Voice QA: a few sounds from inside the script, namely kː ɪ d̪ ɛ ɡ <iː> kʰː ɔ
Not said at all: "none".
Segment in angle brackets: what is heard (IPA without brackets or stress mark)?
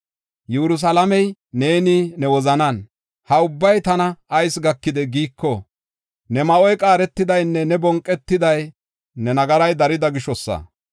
iː